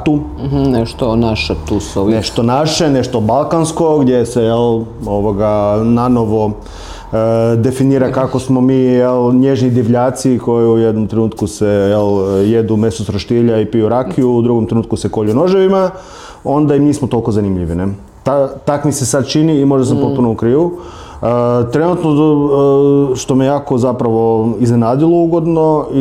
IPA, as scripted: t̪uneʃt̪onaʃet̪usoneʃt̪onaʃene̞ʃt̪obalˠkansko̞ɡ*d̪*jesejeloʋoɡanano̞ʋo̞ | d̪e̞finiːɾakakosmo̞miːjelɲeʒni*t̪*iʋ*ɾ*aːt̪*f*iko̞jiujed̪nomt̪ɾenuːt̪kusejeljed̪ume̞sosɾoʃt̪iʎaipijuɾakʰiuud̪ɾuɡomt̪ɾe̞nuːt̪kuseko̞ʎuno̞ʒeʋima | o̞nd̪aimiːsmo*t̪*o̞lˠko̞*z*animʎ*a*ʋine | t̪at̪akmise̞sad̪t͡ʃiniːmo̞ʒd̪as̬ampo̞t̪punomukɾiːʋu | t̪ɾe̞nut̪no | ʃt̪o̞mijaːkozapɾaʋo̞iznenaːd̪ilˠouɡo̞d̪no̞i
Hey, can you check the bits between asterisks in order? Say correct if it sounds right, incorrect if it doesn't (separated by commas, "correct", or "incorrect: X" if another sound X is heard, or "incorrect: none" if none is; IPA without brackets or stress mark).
correct, incorrect: d̪, incorrect: ʎ, incorrect: s, correct, correct, incorrect: i